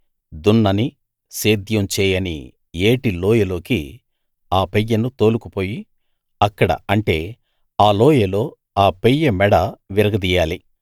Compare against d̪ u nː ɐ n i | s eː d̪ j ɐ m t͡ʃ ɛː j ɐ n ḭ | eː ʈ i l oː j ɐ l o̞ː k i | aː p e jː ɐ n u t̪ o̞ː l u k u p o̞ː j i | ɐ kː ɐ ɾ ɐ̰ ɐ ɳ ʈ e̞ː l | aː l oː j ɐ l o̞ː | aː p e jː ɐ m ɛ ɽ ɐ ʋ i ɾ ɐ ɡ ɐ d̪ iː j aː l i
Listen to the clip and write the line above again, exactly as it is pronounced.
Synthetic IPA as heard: d̪ u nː ɐ n i | s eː d̪ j ɐ m t͡ʃ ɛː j ɐ n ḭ | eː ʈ i l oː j ɐ l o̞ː k i | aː p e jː ɐ n u t̪ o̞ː l u k u p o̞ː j i | ɐ kː ɐ ɽ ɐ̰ ɐ ɳ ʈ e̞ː | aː l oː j ɐ l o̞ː | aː p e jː ɐ m ɛ ɽ ɐ ʋ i ɾ ɐ ɡ ɐ d̪ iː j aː l i